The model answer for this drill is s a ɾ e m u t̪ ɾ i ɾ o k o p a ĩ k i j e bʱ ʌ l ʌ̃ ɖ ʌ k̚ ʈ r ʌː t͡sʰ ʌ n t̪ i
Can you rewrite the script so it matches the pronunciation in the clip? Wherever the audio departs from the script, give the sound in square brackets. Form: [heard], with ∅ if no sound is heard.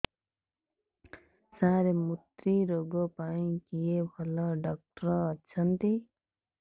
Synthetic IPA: s a ɾ e m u t̪ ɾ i ɾ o [ɡ] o p a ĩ k i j e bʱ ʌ l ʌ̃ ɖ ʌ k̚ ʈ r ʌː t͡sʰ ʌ n t̪ i